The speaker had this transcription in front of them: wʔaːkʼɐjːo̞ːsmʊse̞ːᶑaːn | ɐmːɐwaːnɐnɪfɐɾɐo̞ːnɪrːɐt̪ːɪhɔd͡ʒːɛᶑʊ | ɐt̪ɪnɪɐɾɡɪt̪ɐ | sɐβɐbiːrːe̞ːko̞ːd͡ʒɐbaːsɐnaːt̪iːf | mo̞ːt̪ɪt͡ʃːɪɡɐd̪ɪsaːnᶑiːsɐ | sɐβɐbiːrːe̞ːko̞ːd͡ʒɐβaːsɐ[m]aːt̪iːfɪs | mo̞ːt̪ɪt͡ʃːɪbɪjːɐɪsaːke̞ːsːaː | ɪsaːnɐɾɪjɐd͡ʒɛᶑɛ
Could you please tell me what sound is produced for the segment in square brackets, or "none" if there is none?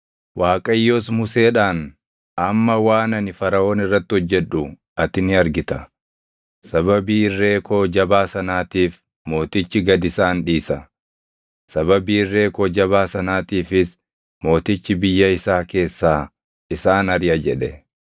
n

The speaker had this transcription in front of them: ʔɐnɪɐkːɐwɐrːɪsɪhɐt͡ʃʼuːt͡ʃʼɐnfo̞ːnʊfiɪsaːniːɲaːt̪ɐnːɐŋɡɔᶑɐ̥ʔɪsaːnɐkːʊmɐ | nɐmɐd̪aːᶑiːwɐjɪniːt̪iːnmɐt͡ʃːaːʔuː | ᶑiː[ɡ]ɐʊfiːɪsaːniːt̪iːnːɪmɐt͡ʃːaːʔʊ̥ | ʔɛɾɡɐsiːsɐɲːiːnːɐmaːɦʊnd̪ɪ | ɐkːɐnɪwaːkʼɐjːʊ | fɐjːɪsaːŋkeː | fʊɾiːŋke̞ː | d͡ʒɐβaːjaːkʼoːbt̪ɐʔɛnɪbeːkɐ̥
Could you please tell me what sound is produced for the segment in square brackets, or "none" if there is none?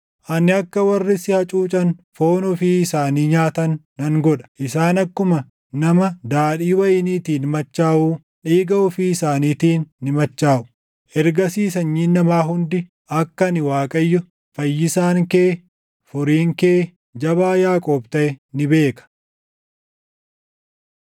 ɡ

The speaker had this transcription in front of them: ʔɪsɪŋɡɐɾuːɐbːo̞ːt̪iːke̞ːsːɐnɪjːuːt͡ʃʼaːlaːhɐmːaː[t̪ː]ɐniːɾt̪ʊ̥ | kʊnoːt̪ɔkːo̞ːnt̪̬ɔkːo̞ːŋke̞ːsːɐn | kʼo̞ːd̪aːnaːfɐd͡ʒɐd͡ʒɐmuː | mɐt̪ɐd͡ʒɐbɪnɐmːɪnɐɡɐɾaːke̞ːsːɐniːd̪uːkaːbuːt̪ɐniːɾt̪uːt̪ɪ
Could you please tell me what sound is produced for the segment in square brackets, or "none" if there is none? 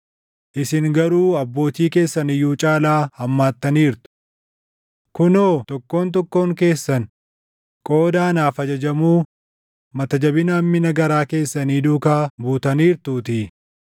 t̪ː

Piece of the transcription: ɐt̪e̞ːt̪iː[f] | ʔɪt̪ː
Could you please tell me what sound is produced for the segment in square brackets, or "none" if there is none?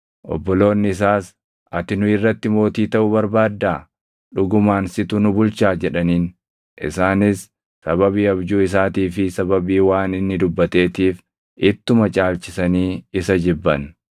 f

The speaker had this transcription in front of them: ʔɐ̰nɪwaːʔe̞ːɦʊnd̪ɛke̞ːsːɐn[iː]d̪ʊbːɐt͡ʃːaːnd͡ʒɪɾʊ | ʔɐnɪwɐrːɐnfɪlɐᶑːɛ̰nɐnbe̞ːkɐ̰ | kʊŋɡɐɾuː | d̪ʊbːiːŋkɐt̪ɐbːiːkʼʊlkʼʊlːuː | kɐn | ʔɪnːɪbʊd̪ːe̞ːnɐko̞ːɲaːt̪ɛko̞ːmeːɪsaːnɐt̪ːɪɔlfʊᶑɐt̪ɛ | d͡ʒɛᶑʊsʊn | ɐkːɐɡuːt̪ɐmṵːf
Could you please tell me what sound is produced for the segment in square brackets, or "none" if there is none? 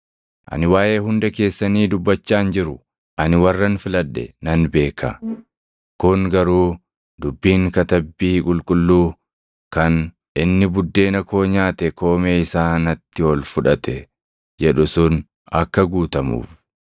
iː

